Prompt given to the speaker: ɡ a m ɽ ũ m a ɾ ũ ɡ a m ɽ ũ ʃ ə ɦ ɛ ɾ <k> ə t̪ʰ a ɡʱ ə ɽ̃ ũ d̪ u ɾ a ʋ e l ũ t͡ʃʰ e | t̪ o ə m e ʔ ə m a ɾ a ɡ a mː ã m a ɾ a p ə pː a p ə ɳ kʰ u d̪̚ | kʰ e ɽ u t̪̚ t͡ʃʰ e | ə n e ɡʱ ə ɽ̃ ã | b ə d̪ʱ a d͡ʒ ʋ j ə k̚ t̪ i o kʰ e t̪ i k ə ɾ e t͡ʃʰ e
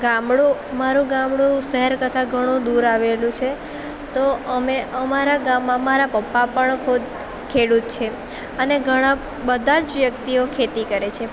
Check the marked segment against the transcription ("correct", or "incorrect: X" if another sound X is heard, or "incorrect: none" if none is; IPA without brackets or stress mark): correct